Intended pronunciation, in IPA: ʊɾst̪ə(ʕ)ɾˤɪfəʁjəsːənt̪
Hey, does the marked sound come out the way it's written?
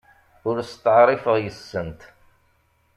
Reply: yes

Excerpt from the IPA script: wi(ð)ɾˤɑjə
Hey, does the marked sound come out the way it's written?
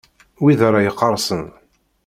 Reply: yes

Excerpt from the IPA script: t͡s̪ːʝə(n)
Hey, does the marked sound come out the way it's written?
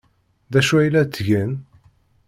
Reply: yes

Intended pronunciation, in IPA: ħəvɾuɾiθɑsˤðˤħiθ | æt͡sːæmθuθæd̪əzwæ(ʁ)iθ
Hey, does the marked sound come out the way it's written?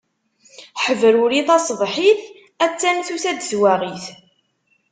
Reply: yes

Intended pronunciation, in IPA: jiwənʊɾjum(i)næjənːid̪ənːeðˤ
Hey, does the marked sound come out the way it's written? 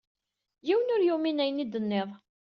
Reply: yes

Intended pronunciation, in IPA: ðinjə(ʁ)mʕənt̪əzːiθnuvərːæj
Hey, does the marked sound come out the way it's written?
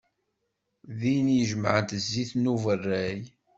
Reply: no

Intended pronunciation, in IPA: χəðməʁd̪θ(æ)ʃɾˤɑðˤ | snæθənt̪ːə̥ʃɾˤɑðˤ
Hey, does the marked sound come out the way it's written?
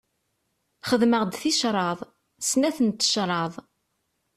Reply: no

